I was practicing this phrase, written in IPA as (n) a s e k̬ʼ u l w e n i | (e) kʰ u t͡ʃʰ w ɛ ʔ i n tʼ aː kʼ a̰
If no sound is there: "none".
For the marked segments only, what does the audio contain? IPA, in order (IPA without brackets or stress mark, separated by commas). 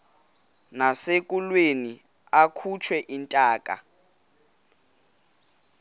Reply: n, a